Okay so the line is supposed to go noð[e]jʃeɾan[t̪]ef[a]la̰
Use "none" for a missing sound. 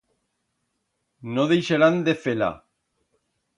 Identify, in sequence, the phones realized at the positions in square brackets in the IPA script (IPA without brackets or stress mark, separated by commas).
e, d̪, e